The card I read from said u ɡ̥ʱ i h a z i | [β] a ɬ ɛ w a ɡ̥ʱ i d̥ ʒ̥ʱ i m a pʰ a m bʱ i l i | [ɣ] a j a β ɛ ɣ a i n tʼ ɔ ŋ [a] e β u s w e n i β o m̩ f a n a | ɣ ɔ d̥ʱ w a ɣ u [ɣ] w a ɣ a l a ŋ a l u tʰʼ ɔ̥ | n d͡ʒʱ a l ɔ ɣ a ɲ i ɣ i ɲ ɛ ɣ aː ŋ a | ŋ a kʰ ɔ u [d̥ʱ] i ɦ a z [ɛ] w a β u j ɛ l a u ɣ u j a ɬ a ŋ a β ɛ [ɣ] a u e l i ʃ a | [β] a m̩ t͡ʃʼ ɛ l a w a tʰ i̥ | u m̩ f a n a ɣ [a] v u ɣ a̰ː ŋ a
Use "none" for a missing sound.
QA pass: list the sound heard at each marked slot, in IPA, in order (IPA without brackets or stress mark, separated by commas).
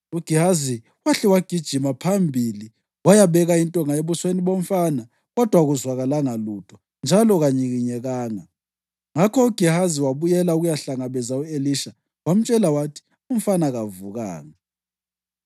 w, w, a, z, ɡ̥ʱ, i, z, w, a